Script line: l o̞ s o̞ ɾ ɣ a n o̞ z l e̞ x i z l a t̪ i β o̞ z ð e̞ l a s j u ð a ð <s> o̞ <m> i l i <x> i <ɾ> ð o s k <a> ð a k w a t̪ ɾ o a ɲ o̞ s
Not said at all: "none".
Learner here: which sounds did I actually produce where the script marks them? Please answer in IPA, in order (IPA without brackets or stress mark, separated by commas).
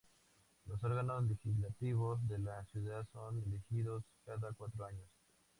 s, n, x, none, a